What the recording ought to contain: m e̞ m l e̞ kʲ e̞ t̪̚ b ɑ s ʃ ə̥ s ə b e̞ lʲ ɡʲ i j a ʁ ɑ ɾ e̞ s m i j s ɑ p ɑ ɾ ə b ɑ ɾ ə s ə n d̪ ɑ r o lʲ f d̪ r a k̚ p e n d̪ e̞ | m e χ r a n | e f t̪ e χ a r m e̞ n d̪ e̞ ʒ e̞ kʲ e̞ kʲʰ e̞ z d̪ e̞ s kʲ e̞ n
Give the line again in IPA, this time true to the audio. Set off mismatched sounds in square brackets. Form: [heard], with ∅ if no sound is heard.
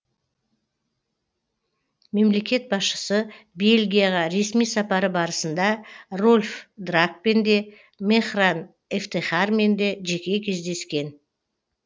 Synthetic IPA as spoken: m e̞ m l e̞ kʲ e̞ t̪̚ b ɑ s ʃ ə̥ s ə b e̞ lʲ ɡʲ i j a ʁ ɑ ɾ e̞ s m i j s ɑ p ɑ ɾ ə b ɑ ɾ ə s ə n d̪ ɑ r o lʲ f d̪ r a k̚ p e n d̪ e̞ | m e χ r a n | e f t̪ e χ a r m e̞ n d̪ e̞ ʒ e̞ kʲ e̞ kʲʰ e̞ z d̪ e̞ s kʲ e̞ n